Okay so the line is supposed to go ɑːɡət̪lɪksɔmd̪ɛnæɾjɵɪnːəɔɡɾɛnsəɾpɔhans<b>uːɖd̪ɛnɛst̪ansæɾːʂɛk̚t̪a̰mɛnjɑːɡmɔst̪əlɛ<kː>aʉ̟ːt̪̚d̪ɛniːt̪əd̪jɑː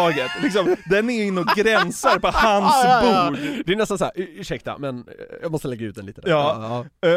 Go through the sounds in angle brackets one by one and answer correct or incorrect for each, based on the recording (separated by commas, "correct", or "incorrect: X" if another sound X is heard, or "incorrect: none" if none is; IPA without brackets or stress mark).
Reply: correct, incorrect: ɡː